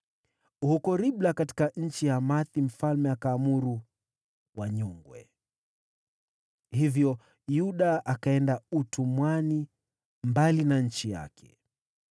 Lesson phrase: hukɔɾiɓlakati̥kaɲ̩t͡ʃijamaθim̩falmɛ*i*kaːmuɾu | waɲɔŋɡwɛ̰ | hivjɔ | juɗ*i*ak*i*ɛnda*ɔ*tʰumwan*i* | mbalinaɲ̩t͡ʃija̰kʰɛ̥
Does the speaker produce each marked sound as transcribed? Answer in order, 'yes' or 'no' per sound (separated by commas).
no, no, no, no, yes